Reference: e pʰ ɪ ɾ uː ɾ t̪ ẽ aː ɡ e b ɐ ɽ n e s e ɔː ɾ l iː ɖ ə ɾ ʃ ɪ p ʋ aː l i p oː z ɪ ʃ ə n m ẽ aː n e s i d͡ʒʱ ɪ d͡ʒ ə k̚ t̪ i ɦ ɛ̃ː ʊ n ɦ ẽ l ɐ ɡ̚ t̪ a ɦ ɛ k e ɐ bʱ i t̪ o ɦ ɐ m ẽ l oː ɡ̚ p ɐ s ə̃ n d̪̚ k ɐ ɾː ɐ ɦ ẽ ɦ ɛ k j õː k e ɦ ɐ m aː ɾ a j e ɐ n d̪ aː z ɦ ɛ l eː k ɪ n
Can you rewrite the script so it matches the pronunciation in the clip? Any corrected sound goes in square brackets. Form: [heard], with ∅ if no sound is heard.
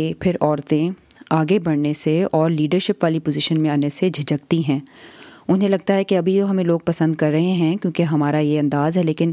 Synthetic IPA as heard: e pʰ ɪ ɾ [ɔː] ɾ t̪ ẽ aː ɡ e b ɐ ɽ n e s e ɔː ɾ l iː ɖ ə ɾ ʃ ɪ p ʋ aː l i p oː z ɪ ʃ ə n m ẽ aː n e s [e] d͡ʒʱ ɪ d͡ʒ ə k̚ t̪ i ɦ ɛ̃ː ʊ n ɦ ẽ l ɐ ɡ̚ t̪ a ɦ ɛ k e ɐ bʱ i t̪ o ɦ ɐ m ẽ l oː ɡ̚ p ɐ s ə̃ n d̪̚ k ɐ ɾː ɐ ɦ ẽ ɦ [ɛ̃] k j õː k e ɦ ɐ m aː ɾ a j e [ɐ̃] n d̪ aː z ɦ ɛ l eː k ɪ n